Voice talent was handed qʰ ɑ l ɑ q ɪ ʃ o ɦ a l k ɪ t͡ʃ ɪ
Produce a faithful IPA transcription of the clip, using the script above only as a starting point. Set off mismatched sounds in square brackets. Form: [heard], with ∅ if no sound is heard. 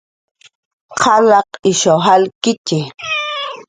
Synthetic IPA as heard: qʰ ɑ l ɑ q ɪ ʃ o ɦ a l k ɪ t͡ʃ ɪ